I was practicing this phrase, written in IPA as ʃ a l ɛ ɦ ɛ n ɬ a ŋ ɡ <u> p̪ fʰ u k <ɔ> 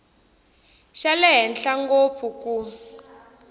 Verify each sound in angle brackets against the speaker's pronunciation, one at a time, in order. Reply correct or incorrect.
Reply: incorrect: o, incorrect: u

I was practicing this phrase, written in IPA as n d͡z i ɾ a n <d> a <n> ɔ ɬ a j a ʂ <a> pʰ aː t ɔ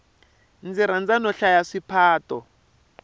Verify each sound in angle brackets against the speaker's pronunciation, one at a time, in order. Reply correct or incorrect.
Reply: incorrect: d͡z, correct, incorrect: i

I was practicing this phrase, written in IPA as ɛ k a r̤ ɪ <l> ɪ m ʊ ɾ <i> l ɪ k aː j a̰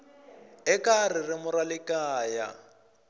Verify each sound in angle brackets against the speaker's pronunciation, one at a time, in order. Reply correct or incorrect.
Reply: incorrect: r, incorrect: a

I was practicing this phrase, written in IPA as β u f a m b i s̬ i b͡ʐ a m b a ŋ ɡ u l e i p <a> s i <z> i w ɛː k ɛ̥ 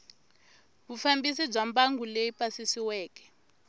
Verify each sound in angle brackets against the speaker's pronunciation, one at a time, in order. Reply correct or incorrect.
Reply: correct, incorrect: s

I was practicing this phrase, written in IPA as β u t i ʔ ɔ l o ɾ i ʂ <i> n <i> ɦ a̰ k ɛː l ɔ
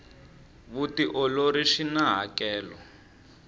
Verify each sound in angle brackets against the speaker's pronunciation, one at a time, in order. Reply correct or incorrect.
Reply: correct, incorrect: a

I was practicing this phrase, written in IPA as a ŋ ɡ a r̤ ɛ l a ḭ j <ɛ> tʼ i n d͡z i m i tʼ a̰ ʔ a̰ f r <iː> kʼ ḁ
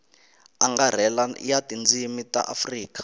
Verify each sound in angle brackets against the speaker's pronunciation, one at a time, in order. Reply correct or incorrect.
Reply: incorrect: a, correct

